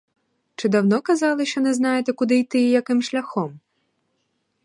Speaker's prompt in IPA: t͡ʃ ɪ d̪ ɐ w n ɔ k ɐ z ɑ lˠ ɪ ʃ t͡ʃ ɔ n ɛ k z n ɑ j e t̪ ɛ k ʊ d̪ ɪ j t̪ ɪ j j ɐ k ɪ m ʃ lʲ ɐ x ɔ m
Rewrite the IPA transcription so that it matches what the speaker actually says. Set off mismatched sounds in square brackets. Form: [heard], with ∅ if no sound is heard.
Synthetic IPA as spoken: t͡ʃ ɪ d̪ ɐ w n ɔ k ɐ z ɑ lˠ ɪ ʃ t͡ʃ ɔ n ɛ [∅] z n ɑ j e t̪ ɛ k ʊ d̪ ɪ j t̪ ɪ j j ɐ k ɪ m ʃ lʲ ɐ x ɔ m